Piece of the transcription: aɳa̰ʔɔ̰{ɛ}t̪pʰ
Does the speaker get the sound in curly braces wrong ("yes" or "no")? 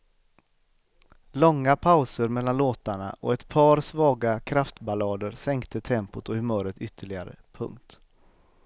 no